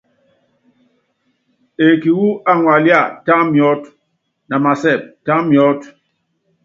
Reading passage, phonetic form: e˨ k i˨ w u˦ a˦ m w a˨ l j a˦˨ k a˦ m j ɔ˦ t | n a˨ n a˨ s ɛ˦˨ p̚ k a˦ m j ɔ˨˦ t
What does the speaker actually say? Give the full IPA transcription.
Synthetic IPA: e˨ k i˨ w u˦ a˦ ŋ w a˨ l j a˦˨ t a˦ m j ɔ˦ t | n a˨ m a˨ s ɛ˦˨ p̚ t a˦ m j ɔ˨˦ t